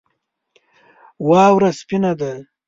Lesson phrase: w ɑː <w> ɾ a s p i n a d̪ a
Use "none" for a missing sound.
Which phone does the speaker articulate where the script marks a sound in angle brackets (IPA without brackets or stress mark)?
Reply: w